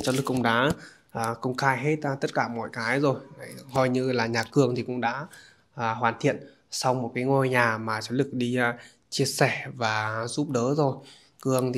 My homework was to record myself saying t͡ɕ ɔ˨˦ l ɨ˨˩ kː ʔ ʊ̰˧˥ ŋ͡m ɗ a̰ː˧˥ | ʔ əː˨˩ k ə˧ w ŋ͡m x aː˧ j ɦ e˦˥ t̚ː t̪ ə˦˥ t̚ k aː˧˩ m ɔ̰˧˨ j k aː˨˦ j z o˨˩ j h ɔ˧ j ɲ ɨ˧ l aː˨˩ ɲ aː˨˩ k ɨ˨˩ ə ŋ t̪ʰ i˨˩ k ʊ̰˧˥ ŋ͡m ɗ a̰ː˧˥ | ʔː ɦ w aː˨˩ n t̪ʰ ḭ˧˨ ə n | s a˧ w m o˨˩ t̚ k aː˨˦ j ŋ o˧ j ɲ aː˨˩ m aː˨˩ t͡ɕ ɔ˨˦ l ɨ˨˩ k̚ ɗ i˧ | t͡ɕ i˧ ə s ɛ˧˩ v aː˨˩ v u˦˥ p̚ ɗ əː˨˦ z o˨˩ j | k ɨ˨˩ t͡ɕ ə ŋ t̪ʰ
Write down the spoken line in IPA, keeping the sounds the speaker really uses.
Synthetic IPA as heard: t͡ɕ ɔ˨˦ l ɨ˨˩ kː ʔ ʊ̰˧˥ ŋ͡m ɗ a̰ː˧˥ | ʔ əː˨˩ k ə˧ w ŋ͡m x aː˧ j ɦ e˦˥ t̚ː t̪ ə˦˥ t̚ k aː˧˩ m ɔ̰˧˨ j k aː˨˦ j z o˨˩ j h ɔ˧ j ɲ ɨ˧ l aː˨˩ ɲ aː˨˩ k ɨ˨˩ ə ŋ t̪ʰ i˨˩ k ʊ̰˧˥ ŋ͡m ɗ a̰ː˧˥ | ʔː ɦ w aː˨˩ n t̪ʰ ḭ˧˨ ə n | s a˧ w m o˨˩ t̚ k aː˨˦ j ŋ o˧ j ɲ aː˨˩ m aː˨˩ t͡ɕ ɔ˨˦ l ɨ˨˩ k̚ ɗ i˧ | t͡ɕ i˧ ə s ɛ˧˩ v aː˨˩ z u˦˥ p̚ ɗ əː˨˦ z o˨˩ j | k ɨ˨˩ ə ŋ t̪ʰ